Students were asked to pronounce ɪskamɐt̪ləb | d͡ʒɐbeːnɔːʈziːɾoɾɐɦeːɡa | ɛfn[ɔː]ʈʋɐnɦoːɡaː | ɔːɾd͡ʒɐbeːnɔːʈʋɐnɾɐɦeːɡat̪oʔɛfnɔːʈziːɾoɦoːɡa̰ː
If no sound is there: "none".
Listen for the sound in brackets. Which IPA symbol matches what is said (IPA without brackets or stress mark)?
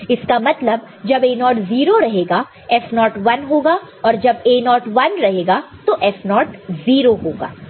ɔː